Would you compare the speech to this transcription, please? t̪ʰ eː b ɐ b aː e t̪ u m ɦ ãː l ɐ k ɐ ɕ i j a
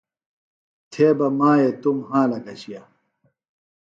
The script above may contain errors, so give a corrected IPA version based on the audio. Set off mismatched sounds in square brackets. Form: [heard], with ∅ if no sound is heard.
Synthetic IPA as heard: t̪ʰ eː b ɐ [m] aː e t̪ u m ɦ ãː l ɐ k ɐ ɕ i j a